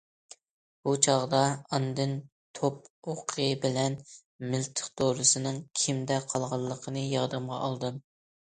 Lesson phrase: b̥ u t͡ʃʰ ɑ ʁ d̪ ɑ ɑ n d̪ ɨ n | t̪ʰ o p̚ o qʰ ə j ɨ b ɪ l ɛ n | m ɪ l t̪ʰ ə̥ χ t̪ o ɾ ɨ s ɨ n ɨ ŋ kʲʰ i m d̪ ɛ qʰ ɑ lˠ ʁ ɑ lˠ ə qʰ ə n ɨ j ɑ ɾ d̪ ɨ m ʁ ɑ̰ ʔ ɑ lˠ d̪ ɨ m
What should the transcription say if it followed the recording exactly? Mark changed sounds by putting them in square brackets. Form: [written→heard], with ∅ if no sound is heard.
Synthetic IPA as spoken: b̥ u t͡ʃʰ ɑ ʁ d̪ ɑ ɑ n d̪ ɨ n | t̪ʰ o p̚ o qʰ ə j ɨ b ɪ l ɛ n | m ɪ l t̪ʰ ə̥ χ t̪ o ɾ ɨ s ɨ n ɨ ŋ kʲʰ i m d̪ ɛ qʰ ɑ lˠ ʁ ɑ [lˠ→lˠː] ə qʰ ə n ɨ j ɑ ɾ d̪ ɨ m ʁ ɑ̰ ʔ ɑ lˠ d̪ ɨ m